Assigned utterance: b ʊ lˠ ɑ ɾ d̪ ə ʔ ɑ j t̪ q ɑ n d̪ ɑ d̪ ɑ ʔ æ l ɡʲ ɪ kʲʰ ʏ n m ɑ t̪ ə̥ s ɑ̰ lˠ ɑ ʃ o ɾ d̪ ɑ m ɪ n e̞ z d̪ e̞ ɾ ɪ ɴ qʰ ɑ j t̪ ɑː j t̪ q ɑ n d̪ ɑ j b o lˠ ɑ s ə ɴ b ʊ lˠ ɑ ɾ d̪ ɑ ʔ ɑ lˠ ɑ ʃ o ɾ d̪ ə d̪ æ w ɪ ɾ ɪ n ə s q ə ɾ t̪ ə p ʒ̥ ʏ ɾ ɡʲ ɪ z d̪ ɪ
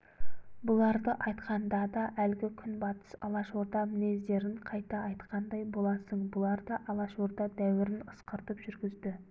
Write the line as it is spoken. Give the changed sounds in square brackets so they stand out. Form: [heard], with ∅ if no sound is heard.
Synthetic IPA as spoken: b ʊ lˠ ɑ ɾ d̪ ə ʔ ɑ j t̪ q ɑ n d̪ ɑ d̪ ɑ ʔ æ l ɡʲ ɪ kʲʰ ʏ n [b] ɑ t̪ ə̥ s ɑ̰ lˠ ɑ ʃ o ɾ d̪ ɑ m ɪ n e̞ z d̪ e̞ ɾ ɪ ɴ qʰ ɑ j t̪ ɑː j t̪ q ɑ n d̪ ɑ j b o lˠ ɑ s ə ɴ b ʊ lˠ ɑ ɾ d̪ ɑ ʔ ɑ lˠ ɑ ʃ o ɾ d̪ [ɑ] d̪ æ w ɪ ɾ ɪ n ə s q ə ɾ t̪ ə p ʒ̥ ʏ ɾ ɡʲ ɪ z d̪ ɪ

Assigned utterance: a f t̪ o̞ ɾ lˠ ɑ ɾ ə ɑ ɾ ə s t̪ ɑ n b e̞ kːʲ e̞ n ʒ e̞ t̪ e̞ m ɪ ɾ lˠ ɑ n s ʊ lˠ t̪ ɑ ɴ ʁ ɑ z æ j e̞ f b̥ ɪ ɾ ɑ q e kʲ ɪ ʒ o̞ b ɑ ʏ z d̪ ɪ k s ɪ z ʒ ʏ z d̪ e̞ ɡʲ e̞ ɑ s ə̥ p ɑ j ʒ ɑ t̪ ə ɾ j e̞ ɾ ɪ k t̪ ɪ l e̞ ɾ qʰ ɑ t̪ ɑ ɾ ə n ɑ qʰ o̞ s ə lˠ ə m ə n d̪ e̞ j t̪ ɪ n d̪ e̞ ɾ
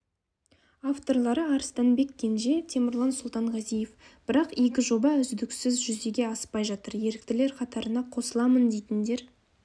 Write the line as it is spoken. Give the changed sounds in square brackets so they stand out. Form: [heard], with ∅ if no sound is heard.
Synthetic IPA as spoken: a f t̪ o̞ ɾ lˠ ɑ ɾ ə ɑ ɾ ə s t̪ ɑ n b e̞ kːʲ e̞ n ʒ e̞ [t̪ʰ] e̞ m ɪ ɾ lˠ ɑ n s ʊ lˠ t̪ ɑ ɴ ʁ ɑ z [i] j e̞ f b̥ ɪ ɾ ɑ q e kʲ ɪ ʒ o̞ b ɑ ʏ z d̪ ɪ k s ɪ z ʒ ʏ z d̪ e̞ ɡʲ e̞ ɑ s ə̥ p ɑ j ʒ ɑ t̪ ə ɾ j e̞ ɾ ɪ k t̪ ɪ l e̞ ɾ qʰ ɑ t̪ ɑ ɾ ə n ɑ qʰ o̞ s ə lˠ [ɑ] m ə n d̪ e̞ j t̪ ɪ n d̪ e̞ ɾ

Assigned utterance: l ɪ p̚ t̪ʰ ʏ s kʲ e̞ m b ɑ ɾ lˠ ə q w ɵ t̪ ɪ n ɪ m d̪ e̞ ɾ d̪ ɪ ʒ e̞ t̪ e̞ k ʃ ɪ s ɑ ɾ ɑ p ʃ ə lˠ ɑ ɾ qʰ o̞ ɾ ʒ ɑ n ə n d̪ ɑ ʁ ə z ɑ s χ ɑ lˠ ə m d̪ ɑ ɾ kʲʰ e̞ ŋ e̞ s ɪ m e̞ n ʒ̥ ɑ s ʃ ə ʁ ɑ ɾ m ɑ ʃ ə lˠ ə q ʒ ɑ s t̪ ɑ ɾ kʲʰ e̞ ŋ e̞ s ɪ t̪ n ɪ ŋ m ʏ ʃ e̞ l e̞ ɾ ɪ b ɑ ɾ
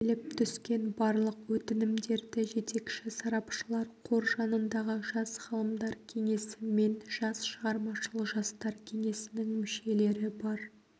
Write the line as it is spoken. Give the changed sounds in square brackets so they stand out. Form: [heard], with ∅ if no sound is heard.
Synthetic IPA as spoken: l ɪ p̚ t̪ʰ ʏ s kʲ e̞ [n] b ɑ ɾ lˠ ə q w ɵ t̪ ɪ n ɪ m d̪ e̞ ɾ d̪ ɪ ʒ e̞ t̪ e̞ k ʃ ɪ s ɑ ɾ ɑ p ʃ ə lˠ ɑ ɾ qʰ o̞ ɾ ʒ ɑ n ə n d̪ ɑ ʁ ə [ʒ] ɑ s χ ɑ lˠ ə m d̪ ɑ ɾ kʲʰ e̞ ŋ e̞ s ɪ m e̞ n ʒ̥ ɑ s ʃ ə ʁ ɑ ɾ m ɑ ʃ ə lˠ ə q ʒ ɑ s t̪ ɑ ɾ kʲʰ e̞ ŋ e̞ s ɪ [∅] n ɪ ŋ m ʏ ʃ e̞ l e̞ ɾ ɪ b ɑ ɾ

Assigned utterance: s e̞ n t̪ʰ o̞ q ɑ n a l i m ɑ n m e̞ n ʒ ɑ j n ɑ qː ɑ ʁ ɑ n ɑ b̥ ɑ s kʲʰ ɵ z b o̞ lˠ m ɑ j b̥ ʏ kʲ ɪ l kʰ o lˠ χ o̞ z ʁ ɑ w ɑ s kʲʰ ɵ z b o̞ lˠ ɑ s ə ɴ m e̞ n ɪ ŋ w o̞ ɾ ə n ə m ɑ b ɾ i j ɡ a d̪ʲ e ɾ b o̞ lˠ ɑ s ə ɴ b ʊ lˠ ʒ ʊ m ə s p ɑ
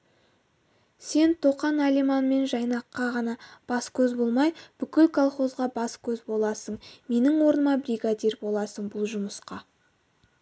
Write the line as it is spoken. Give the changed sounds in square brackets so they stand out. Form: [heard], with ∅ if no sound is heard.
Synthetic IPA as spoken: s e̞ n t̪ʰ o̞ q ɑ n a l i m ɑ n m e̞ n ʒ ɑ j n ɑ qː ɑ ʁ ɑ n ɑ b̥ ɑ s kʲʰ ɵ z b o̞ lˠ m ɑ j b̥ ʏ kʲ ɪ l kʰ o lˠ χ o̞ z ʁ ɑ [b] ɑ s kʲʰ ɵ z b o̞ lˠ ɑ s ə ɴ m e̞ n ɪ ŋ w o̞ ɾ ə n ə m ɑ b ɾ i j ɡ a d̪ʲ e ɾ b o̞ lˠ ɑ s ə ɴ b ʊ lˠ ʒ ʊ m ə s [q] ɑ

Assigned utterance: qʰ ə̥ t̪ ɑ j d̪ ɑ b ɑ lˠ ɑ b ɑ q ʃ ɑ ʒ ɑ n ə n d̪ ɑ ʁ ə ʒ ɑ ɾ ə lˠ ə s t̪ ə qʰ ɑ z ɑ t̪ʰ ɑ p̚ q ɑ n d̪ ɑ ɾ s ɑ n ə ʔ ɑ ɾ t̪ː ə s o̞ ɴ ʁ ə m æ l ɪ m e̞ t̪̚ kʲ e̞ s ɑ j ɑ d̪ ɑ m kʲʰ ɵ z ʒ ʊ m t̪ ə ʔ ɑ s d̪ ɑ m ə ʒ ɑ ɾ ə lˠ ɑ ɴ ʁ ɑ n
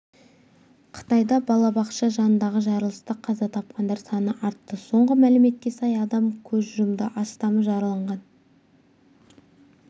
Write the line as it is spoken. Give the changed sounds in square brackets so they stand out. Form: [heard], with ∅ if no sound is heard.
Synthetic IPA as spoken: qʰ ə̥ t̪ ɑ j d̪ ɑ b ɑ lˠ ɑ b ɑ q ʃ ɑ ʒ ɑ n ə n d̪ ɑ ʁ ə ʒ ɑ ɾ ə lˠ ə s t̪ ə qʰ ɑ z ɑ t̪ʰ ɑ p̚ q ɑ n d̪ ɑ ɾ s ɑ n ə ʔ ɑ ɾ t̪ː ə s o̞ ɴ ʁ ə m æ l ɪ m e̞ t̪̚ kʲ e̞ s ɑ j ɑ d̪ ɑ m kʲʰ ɵ z ʒ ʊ m [d̪] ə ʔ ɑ s [t̪] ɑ m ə ʒ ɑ ɾ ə lˠ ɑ ɴ ʁ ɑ n

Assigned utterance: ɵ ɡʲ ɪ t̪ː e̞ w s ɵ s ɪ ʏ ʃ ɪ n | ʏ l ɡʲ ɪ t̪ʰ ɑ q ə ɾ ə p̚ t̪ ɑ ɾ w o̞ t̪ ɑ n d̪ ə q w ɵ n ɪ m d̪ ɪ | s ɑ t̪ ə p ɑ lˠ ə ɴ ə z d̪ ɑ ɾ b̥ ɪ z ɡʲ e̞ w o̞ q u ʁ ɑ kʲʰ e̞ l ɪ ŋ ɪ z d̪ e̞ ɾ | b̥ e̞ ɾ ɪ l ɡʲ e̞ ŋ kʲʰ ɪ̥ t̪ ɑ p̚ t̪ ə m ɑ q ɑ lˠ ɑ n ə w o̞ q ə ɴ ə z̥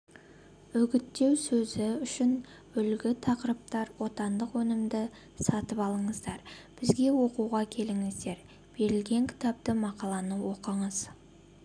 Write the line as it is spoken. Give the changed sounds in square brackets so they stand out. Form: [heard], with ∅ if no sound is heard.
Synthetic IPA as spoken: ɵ ɡʲ ɪ t̪ː e̞ w s ɵ [z] ɪ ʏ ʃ ɪ n | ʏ l ɡʲ ɪ t̪ʰ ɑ q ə ɾ ə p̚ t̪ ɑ ɾ w o̞ t̪ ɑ n d̪ ə q w ɵ n ɪ m d̪ ɪ | s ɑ t̪ ə p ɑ lˠ ə ɴ ə z d̪ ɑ ɾ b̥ ɪ z ɡʲ e̞ w o̞ q u ʁ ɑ kʲʰ e̞ l ɪ ŋ ɪ z d̪ e̞ ɾ | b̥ e̞ ɾ ɪ l ɡʲ e̞ ŋ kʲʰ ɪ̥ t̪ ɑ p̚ t̪ ə m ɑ q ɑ lˠ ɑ n ə w o̞ q ə ɴ ə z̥

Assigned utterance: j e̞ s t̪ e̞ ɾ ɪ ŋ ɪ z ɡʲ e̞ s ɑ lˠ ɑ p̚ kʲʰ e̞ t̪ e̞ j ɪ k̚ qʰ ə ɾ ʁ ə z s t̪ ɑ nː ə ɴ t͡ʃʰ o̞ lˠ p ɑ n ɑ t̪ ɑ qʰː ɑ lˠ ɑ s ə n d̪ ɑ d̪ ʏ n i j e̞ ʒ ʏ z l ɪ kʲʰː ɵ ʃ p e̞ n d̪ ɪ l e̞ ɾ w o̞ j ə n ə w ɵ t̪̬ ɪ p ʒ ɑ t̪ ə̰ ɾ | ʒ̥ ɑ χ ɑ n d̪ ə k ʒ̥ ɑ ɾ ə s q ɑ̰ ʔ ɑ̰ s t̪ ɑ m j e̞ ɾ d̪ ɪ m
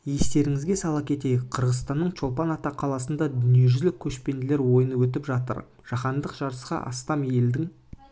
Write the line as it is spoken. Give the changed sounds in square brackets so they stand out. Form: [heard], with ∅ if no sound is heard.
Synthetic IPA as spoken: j e̞ s t̪ e̞ ɾ ɪ ŋ ɪ z ɡʲ e̞ s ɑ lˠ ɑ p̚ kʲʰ e̞ t̪ e̞ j ɪ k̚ qʰ ə ɾ ʁ ə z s t̪ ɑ nː ə ɴ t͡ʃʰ o̞ lˠ p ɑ n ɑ t̪ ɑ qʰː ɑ lˠ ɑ s ə n d̪ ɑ d̪ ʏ n i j e̞ ʒ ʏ z l ɪ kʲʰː ɵ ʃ p e̞ n d̪ ɪ l e̞ ɾ w o̞ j ə n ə w ɵ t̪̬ ɪ p ʒ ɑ t̪ ə̰ ɾ | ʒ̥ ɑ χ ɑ n d̪ ə [q] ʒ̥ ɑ ɾ ə s q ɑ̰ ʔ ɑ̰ s t̪ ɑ m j e̞ [l] d̪ ɪ [ŋ]

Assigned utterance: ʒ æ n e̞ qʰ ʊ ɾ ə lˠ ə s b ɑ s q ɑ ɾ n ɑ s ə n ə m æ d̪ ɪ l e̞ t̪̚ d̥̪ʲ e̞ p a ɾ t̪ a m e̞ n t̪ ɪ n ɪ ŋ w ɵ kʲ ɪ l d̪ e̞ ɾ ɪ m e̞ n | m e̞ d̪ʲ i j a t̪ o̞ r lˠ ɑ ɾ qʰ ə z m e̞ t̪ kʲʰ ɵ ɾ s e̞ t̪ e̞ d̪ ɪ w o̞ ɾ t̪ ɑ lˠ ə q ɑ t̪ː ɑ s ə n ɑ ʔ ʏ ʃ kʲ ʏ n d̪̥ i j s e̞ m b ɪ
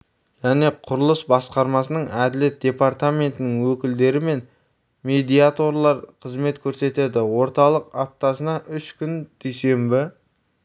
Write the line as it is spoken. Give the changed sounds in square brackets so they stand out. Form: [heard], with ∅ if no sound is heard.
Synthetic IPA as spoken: ʒ æ n e̞ qʰ ʊ ɾ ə lˠ ə s b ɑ s q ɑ ɾ [m] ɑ s ə n ə [ɴ] æ d̪ ɪ l e̞ t̪̚ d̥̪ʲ e̞ p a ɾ t̪ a m e̞ n t̪ ɪ n ɪ ŋ w ɵ kʲ ɪ l d̪ e̞ ɾ ɪ m e̞ n | m e̞ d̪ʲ i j a t̪ o̞ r lˠ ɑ ɾ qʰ ə z m e̞ t̪ kʲʰ ɵ ɾ s e̞ t̪ e̞ d̪ ɪ w o̞ ɾ t̪ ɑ lˠ ə q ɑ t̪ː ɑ s ə n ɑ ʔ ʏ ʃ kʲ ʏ n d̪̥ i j s e̞ m b ɪ

